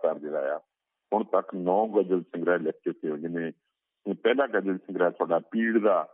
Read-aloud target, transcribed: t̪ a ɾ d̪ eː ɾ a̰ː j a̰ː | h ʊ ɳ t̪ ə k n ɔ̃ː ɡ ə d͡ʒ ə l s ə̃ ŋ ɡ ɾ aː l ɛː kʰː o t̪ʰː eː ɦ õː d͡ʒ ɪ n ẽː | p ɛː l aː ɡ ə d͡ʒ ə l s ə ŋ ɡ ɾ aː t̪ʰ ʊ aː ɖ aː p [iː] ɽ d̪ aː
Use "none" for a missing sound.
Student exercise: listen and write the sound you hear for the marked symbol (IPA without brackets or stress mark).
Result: iː